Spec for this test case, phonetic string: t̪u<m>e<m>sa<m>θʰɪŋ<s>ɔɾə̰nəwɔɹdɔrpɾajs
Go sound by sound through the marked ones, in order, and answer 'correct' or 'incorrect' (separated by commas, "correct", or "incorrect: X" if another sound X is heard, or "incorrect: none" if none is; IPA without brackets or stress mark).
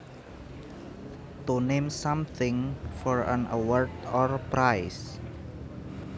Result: incorrect: n, correct, correct, incorrect: f